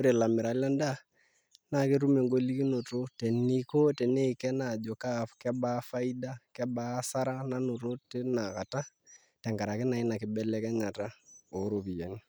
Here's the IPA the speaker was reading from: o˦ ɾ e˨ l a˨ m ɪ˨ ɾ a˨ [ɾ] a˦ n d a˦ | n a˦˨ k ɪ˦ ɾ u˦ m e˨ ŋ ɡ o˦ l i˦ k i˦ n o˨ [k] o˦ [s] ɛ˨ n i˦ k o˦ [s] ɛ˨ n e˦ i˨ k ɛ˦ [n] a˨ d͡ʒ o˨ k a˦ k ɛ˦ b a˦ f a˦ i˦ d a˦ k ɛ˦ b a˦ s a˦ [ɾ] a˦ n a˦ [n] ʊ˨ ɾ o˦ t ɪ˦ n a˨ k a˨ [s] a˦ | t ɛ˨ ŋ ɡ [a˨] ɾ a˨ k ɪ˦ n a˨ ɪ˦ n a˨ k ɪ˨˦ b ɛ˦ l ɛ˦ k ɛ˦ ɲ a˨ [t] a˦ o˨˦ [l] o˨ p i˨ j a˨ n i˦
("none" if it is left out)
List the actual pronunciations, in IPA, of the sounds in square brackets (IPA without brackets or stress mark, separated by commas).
l, t, t, t, n, ɾ, n, t, a˨, t, ɾ